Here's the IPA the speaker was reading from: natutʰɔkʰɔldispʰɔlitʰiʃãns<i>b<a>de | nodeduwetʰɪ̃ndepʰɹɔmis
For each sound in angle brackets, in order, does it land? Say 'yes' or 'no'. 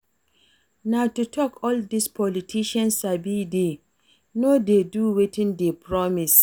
no, no

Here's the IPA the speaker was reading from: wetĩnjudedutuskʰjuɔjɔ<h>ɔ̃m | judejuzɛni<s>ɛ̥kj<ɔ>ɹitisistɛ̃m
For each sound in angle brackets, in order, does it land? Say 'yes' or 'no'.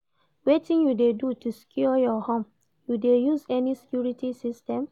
yes, yes, no

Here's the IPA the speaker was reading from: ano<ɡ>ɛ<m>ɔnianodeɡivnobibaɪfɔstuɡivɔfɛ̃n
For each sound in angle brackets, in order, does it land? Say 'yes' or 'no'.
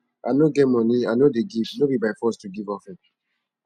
yes, yes

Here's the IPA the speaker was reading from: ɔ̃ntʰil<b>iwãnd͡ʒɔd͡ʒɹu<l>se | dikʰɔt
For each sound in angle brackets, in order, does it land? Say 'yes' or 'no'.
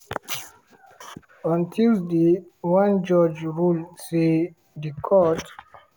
no, yes

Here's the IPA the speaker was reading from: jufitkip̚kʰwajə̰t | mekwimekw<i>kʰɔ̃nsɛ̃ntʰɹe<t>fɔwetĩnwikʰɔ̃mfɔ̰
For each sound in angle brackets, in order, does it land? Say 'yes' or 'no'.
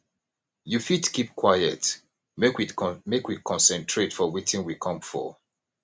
yes, yes

